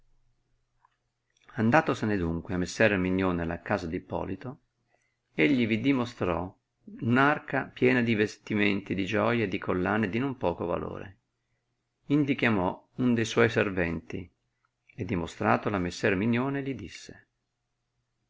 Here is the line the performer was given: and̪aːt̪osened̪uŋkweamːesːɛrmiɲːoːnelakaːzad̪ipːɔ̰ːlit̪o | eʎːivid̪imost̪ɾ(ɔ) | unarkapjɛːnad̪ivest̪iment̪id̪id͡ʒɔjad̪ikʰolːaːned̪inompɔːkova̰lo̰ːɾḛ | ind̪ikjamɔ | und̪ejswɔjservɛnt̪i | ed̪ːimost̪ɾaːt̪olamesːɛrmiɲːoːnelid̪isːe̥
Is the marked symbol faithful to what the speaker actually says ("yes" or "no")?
yes